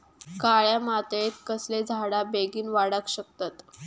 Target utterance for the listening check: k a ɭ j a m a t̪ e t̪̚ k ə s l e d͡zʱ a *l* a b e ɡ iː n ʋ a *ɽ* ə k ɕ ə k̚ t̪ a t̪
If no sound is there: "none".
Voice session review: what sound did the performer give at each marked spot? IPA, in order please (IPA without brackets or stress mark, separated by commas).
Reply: ɽ, ɽ